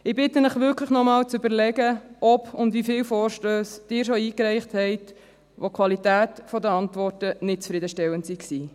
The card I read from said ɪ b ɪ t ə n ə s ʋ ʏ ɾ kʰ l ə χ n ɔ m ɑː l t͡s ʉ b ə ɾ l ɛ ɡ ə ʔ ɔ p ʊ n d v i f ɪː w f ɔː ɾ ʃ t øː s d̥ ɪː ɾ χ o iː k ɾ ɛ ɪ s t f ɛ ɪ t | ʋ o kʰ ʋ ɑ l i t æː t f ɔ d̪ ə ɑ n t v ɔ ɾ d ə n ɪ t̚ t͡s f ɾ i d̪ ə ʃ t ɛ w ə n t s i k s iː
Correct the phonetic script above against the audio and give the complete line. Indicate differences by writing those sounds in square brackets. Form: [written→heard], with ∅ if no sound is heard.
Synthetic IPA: ɪ b ɪ t ə n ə [s→χ] ʋ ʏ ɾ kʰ l ə χ n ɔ m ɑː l t͡s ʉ b ə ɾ l ɛ ɡ ə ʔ ɔ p ʊ n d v i f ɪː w f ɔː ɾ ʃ t øː s d̥ ɪː ɾ [χ→ʃ] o iː k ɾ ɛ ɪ [s→χ] t [f→h] ɛ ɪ t | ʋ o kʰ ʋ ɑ l i t æː t f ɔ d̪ ə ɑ n t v ɔ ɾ [d→t] ə n ɪ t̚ t͡s f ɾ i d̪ ə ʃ t ɛ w ə n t s i k s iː